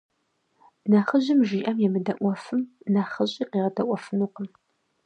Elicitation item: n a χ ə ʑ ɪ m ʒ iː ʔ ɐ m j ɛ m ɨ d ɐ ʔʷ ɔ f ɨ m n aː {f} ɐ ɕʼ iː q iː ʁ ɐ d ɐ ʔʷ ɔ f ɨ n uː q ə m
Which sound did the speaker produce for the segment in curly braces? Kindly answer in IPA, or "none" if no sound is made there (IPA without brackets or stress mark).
χ